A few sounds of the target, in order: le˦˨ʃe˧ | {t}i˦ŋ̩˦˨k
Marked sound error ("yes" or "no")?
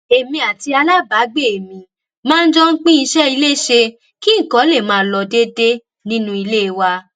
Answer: yes